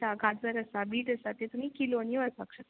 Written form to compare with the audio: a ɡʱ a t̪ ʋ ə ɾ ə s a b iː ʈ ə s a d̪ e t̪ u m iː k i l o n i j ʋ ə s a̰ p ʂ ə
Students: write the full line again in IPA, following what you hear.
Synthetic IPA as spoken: a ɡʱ a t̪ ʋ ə ɾ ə s a b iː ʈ ə s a t̪ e t̪ u m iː k i l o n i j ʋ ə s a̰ k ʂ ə

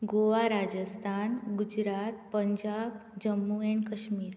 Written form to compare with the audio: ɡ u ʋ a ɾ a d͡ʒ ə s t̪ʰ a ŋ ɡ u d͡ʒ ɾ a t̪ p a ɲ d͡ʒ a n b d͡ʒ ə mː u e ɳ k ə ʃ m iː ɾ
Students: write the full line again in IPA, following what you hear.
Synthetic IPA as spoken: ɡ o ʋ a ɾ a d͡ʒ ə s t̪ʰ a n ɡ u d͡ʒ ɾ a t̪ p ə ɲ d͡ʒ a b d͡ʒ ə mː u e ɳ k ə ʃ m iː ɾ

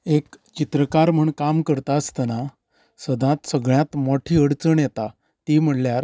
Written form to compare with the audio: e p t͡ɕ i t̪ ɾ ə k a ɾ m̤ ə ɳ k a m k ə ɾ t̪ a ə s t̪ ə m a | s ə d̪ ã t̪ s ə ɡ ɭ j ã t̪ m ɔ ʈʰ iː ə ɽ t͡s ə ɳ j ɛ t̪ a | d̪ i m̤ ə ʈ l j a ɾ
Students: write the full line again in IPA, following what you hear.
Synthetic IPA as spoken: e k t͡ɕ i t̪ ɾ ə k a ɾ m̤ ə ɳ k a m k ə ɾ t̪ a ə s t̪ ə n a | s ə d̪ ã t̪ s ə ɡ ɭ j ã t̪ m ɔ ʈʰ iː ə ɽ t͡s ə ɳ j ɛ t̪ a | t̪ i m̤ ə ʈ l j a ɾ

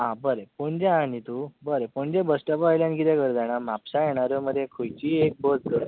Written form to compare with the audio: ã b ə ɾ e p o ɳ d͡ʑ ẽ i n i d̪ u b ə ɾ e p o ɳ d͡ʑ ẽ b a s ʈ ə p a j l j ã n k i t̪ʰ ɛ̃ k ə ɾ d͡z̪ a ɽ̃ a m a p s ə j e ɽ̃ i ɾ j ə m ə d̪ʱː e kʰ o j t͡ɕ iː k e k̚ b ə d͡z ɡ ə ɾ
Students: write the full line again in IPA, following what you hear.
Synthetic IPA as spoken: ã b ə ɾ e p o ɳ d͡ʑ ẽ a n i t̪ u b ə ɾ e p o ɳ d͡ʑ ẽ b ə s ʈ ə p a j l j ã n k i t̪ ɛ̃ k ə ɾ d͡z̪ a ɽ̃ a m a p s a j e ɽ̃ a ɾ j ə m ə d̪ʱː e kʰ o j t͡ɕ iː e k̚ b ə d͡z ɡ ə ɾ

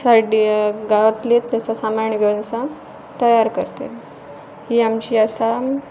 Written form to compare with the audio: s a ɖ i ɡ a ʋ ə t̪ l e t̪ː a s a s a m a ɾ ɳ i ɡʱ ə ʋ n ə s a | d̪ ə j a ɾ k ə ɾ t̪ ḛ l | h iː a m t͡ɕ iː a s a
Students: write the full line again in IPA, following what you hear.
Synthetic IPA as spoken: s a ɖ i ɡ a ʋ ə t̪ l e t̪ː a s a s a m a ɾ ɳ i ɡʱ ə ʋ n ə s a | t̪ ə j a ɾ k ə ɾ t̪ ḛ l | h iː a m t͡ɕ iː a s a

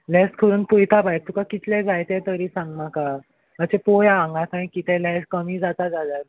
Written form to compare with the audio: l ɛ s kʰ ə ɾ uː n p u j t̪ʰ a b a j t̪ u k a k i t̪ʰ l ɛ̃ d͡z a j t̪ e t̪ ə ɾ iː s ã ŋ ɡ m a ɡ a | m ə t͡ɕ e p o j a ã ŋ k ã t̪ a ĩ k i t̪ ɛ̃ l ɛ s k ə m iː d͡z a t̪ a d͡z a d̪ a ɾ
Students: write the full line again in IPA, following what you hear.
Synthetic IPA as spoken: l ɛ s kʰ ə ɾ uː n p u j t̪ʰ a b a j t̪ u k a k i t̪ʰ l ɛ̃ d͡z a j t̪ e t̪ ə ɾ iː s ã ŋ ɡ m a k a | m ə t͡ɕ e p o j a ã ŋ ɡ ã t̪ a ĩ k i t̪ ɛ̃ l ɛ s k ə m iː d͡z a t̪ a d͡z a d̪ a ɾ

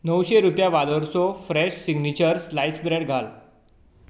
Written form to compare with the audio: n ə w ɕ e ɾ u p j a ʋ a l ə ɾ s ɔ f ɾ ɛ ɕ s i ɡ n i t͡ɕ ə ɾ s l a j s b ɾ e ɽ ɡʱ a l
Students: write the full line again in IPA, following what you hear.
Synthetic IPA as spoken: n ə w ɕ e ɾ u p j a ʋ a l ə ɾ s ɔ f ɾ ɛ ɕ s i ɡ n i t͡ɕ ə ɾ s l a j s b ɾ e ɽ ɡʱ a l

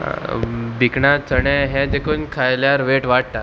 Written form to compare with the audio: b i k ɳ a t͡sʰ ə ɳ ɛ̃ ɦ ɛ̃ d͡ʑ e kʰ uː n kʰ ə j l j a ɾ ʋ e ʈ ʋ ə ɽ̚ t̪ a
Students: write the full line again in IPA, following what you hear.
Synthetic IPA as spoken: b i k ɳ a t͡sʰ ə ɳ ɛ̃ ɦ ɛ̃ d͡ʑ e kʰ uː n kʰ a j l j a ɾ ʋ e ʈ ʋ a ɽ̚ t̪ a

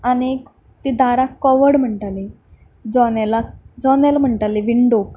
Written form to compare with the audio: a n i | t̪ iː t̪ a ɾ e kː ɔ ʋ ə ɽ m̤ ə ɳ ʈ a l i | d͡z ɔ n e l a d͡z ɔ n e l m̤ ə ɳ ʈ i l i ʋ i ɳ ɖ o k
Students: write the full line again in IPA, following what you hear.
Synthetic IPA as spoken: a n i | t̪ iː d̪ a ɾ a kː ɔ ʋ ə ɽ m̤ ə ɳ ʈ a l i | d͡z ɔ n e l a d͡z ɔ n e l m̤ ə ɳ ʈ a l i ʋ i ɳ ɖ o k

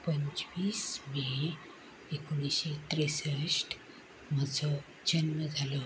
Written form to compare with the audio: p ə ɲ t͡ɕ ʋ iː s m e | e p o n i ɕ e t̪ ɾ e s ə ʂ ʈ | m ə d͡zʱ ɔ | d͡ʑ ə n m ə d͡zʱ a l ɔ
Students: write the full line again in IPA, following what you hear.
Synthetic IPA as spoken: p ə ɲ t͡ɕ ʋ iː s m e | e k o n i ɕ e t̪ ɾ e s ə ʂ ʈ | m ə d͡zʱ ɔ | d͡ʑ ə n m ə d͡zʱ a l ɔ

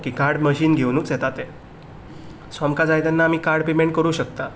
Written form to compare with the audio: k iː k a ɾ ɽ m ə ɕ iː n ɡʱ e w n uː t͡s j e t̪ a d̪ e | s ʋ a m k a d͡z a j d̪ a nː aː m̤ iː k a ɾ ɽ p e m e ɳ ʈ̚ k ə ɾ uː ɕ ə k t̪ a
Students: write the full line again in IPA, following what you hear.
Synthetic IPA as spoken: k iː k a ɾ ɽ m ə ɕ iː n ɡʱ e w n uː t͡s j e t̪ a t̪ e | s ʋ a m k a d͡z a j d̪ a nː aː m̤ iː k a ɾ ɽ p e m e ɳ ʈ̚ k ə ɾ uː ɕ ə k t̪ a

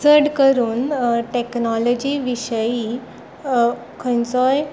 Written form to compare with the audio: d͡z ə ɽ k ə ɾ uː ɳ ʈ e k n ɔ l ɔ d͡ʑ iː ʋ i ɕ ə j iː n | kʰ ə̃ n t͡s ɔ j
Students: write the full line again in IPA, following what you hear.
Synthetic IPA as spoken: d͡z ə ɽ k ə ɾ uː n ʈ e k n ɔ l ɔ d͡ʑ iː ʋ i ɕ ə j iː | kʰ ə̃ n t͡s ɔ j

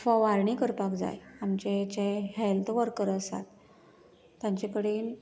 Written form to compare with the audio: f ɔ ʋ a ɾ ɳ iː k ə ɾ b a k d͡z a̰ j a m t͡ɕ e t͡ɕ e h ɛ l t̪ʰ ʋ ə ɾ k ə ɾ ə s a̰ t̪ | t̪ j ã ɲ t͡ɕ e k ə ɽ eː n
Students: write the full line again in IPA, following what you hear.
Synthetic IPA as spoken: f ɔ ʋ a ɾ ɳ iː k ə ɾ p a k d͡z a̰ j a m t͡ɕ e t͡ɕ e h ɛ l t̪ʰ ʋ ə ɾ k ə ɾ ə s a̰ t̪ | t̪ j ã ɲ t͡ɕ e k ə ɽ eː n

